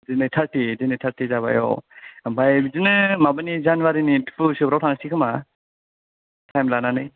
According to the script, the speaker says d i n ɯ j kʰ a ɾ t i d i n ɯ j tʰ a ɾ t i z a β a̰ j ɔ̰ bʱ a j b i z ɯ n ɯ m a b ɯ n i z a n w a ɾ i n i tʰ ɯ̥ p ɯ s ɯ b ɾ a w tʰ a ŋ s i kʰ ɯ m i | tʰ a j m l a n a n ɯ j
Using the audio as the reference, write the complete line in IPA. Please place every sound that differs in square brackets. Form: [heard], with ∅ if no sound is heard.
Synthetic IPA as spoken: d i n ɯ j [tʰ] a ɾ t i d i n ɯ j tʰ a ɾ t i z a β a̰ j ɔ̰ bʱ a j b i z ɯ n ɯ m a b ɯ n i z a n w a ɾ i n i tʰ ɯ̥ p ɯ s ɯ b ɾ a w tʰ a ŋ s i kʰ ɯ m [a] | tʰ a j m l a n a n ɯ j